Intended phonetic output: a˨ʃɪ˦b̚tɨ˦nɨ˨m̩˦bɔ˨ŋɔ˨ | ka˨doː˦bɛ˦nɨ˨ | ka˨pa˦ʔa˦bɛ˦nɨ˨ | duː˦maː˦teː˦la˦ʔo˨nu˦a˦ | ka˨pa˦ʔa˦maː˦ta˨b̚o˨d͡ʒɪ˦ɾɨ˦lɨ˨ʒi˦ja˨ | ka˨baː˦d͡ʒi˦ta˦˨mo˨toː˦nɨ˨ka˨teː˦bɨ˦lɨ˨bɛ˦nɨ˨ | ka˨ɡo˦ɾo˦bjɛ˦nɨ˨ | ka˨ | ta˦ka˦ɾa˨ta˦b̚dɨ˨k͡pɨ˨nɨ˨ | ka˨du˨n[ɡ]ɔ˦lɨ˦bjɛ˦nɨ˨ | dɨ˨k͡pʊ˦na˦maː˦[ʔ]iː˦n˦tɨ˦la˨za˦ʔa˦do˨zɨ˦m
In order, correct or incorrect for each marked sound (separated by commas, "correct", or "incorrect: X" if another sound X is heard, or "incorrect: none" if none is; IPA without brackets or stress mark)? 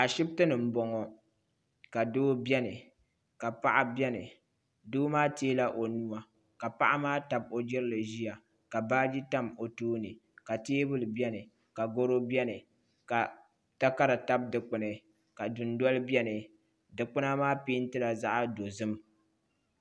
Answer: incorrect: d, incorrect: p